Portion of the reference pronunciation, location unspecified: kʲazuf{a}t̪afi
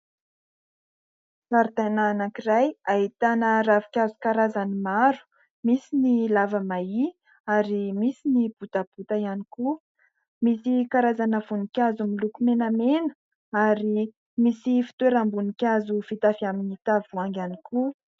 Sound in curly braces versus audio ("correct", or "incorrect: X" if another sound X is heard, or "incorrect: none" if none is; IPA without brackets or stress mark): incorrect: i